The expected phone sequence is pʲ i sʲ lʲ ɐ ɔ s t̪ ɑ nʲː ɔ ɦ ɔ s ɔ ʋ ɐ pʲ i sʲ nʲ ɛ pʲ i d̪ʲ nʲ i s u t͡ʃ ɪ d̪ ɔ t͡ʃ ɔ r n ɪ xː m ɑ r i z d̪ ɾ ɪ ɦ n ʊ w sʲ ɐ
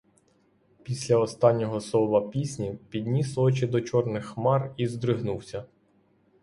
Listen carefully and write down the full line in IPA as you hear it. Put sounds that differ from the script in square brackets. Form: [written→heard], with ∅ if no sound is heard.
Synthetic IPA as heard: pʲ i sʲ lʲ ɐ ɔ s t̪ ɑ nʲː ɔ ɦ ɔ s ɔ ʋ ɐ pʲ i sʲ nʲ [ɛ→i] pʲ i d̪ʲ nʲ i s [u→ɔ] t͡ʃ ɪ d̪ ɔ t͡ʃ ɔ r n ɪ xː m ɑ r i z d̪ ɾ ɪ ɦ n [ʊ→u] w sʲ ɐ